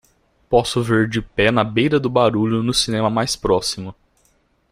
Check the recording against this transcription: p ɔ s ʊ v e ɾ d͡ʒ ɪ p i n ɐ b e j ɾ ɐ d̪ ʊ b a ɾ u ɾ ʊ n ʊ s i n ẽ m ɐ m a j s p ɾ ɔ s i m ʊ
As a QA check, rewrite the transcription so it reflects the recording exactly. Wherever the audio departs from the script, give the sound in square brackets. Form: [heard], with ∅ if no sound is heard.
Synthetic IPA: p ɔ s ʊ v e ɾ d͡ʒ ɪ p [ɛ] n ɐ b e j ɾ ɐ d̪ ʊ b a ɾ u [ʎ] ʊ n ʊ s i n ẽ m ɐ m a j s p ɾ ɔ s i m ʊ